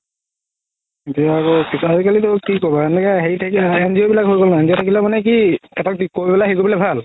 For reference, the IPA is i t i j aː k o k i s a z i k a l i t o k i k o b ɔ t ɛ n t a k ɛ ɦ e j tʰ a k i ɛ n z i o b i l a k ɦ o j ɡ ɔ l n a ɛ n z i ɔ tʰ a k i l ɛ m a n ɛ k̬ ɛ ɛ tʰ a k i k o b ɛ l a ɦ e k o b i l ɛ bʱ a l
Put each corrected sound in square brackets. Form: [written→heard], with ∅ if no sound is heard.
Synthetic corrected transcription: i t i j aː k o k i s a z i k a l i t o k i k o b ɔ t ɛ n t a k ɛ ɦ e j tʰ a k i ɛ n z i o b i l a k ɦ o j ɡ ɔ l n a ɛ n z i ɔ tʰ a k i l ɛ m a n ɛ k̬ [ɛ→i] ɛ [tʰ→t] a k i k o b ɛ l a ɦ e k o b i l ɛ bʱ a l